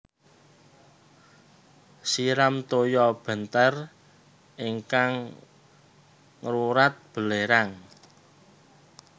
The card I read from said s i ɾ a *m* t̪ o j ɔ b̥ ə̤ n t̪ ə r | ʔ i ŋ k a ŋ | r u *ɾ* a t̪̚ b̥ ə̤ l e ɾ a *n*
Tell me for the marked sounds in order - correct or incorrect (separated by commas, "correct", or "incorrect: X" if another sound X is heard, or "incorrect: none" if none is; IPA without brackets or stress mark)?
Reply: correct, correct, incorrect: ŋ